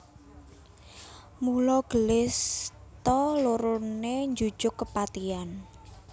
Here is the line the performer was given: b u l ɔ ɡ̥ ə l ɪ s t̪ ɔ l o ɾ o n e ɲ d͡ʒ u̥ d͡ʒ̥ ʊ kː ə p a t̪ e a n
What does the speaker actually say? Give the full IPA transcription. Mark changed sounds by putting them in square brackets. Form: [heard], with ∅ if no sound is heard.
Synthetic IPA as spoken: [m] u l ɔ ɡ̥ ə l ɪ s t̪ ɔ l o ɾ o n e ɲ d͡ʒ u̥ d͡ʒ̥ ʊ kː ə p a t̪ [i] a n

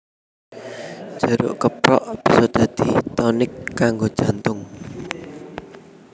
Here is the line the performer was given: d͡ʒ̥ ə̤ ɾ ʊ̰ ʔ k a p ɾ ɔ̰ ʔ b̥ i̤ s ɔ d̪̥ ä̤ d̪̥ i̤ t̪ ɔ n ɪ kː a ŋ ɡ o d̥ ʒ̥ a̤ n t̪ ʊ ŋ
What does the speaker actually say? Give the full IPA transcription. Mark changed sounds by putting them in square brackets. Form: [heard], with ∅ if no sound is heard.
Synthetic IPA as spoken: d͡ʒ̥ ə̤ ɾ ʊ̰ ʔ k [ə] p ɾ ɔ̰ ʔ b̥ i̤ s ɔ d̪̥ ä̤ d̪̥ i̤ t̪ ɔ n ɪ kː a ŋ ɡ o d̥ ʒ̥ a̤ n t̪ ʊ ŋ

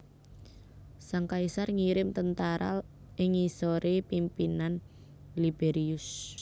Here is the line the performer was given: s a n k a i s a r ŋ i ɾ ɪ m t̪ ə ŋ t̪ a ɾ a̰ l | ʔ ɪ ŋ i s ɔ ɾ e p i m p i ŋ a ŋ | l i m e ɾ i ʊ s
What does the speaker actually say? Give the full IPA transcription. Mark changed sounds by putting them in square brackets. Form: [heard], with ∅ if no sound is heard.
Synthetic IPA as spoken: s a [ŋ] k a i s a r ŋ i ɾ ɪ m t̪ ə [n] t̪ a ɾ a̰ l | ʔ ɪ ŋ i s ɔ ɾ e p i m p i [n] a [n] | l i [b] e ɾ i ʊ s

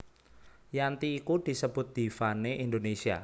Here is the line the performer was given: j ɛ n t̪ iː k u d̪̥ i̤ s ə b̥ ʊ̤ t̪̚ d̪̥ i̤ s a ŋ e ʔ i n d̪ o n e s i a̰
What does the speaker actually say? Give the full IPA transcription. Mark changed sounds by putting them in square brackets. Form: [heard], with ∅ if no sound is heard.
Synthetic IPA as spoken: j [a] n t̪ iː k u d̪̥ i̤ s ə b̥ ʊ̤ t̪̚ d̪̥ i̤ [f] a [n] e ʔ i n d̪ o n e s i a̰

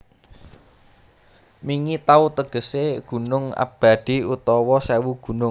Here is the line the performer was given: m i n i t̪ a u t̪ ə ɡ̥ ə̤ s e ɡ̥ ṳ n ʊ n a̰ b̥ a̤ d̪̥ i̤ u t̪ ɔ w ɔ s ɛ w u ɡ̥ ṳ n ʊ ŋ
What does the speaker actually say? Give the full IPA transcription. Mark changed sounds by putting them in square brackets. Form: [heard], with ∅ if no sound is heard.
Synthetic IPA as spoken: m i [ŋ] i t̪ a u t̪ ə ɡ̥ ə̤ s e ɡ̥ ṳ n ʊ [ŋ] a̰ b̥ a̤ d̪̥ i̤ u t̪ ɔ w ɔ s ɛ w u ɡ̥ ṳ n ʊ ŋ

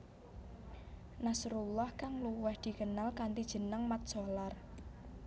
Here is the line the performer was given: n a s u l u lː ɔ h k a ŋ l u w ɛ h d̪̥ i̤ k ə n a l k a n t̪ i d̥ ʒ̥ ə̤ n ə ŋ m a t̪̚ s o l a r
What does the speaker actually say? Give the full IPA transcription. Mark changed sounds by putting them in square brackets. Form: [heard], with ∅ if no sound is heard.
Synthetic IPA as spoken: n a s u [ɾ] u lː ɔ h k a ŋ l u w ɛ h d̪̥ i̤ k ə n a l k a n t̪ i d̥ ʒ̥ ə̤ n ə ŋ m a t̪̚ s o l a r

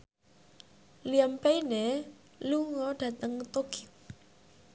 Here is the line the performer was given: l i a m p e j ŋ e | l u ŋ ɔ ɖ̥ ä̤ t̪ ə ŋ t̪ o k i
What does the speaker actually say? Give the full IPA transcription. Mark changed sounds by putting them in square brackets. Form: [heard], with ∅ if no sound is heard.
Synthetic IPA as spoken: l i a m p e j [n] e | l u ŋ ɔ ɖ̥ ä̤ t̪ ə ŋ t̪ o k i

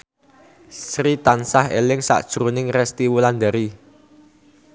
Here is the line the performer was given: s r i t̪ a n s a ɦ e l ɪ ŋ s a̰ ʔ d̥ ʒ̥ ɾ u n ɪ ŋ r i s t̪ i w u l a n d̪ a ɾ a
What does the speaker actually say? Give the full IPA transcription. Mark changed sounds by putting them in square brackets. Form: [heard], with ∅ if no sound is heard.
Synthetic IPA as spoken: s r i t̪ a n s a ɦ e l ɪ ŋ s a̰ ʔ d̥ ʒ̥ ɾ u n ɪ ŋ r [ɛ] s t̪ i w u l a n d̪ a ɾ [i]

